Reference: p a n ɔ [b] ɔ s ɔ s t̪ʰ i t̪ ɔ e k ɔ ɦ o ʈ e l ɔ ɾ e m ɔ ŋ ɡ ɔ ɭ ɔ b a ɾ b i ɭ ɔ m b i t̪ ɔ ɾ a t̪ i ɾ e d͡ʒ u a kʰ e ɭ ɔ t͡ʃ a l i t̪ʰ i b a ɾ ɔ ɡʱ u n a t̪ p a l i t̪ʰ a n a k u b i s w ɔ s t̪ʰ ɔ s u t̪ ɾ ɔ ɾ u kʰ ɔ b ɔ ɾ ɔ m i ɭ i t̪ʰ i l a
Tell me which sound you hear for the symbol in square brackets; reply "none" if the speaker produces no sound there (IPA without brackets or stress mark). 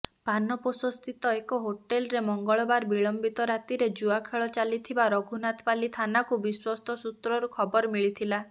p